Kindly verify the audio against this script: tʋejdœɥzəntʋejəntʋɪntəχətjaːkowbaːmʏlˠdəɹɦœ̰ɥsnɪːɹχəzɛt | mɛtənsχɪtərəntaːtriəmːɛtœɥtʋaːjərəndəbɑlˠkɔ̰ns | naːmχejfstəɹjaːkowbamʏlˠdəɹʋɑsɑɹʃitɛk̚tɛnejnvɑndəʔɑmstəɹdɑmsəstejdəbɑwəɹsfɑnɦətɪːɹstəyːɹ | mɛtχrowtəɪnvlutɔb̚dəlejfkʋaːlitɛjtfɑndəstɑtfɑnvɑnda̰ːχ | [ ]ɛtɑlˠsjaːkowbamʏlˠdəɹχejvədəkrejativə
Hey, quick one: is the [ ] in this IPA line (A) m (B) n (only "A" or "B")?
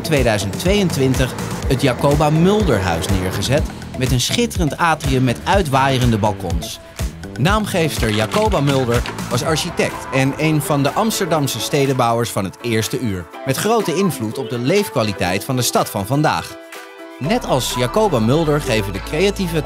B